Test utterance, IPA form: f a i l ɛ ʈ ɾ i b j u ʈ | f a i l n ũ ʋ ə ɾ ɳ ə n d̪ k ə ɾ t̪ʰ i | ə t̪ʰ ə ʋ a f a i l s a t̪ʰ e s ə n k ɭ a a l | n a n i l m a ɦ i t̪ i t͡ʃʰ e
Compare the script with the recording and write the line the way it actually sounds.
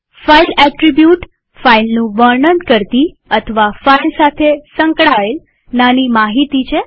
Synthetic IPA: f a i l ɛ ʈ ɾ i b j u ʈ | f a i l n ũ ʋ ə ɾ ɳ ə n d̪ k ə ɾ t̪ i | ə t̪ʰ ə ʋ a f a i l s a t̪ʰ e s ə ŋ k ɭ a e l | n a n i m a ɦ i t̪ i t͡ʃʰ e